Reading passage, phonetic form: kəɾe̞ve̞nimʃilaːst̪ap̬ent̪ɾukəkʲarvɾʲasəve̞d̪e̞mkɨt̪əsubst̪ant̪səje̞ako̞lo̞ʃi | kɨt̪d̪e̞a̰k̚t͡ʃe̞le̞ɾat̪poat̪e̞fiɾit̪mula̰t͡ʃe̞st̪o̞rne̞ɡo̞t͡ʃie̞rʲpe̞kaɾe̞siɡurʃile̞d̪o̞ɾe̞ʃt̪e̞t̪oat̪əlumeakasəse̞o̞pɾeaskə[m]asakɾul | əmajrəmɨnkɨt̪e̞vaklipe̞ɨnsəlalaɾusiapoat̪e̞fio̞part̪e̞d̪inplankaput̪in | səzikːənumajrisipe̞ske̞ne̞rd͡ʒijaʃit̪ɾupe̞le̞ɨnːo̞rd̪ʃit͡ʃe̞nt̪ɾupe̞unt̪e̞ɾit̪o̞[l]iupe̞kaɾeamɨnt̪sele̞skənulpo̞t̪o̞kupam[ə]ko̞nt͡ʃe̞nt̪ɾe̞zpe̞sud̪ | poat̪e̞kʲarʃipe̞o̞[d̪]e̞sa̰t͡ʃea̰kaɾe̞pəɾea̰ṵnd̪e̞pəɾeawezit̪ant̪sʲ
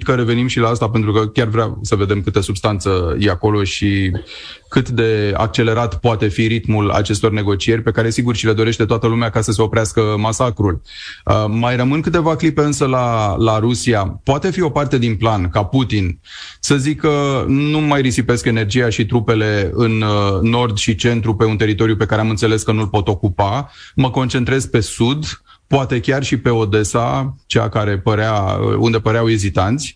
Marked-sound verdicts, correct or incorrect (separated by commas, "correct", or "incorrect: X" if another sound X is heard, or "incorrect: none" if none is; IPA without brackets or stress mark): correct, incorrect: ɾ, correct, correct